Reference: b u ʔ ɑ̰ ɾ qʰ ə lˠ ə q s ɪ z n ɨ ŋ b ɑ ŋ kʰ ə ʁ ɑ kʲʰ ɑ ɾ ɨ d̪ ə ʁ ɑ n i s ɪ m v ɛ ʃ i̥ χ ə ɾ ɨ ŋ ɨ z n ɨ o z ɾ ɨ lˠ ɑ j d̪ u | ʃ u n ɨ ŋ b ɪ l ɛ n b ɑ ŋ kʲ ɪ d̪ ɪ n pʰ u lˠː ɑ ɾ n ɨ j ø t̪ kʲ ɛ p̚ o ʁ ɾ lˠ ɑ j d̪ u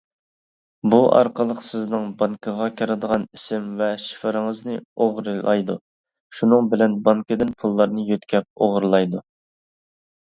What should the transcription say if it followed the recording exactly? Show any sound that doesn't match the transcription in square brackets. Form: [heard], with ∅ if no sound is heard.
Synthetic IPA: b u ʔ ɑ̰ ɾ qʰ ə lˠ ə q s ɪ z n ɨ ŋ b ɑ ŋ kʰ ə ʁ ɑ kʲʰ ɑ ɾ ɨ d̪ ə ʁ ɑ n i s ɪ m v ɛ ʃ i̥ [f] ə ɾ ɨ ŋ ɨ z n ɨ o [ʁ] ɾ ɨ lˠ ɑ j d̪ u | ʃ u n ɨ ŋ b ɪ l ɛ n b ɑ ŋ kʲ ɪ d̪ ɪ n pʰ u lˠː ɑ ɾ n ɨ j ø t̪ kʲ ɛ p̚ o ʁ ɾ lˠ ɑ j d̪ u